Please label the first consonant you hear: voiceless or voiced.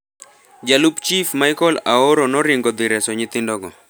voiced